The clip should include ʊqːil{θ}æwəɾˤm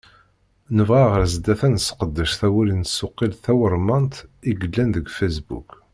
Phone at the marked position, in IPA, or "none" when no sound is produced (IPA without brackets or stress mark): θ